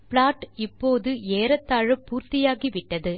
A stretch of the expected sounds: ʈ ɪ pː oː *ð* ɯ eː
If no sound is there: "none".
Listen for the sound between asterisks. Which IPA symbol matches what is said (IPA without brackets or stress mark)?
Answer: ð